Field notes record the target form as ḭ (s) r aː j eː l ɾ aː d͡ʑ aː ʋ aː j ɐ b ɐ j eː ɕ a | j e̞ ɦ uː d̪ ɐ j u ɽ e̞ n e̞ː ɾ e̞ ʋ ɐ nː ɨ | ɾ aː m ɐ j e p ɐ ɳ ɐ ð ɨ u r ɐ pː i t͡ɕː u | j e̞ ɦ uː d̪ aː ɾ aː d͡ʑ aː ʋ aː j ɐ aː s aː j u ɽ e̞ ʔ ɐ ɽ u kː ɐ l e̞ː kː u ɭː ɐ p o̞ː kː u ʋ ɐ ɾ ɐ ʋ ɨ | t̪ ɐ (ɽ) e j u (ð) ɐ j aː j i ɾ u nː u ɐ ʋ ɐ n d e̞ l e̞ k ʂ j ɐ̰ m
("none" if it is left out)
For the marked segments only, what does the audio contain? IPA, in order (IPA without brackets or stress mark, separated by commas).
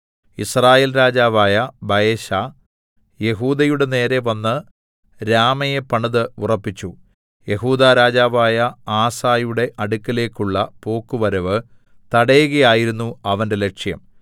s, ɽ, ɣ